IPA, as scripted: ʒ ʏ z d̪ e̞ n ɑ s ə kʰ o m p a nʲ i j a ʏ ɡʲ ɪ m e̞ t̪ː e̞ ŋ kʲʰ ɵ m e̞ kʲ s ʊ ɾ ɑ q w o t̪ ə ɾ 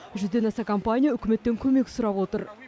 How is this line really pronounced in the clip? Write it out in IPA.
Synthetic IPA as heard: ʒ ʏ z d̪ e̞ n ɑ s ɑ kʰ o m p a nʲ i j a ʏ kʲ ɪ m e̞ t̪ː e̞ ŋ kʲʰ ɵ m e̞ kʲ s ʊ ɾ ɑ p w o t̪ ə ɾ